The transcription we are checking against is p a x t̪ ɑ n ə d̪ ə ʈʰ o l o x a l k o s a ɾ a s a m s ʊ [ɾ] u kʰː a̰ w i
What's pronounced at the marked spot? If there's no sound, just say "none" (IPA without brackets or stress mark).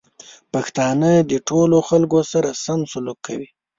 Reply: l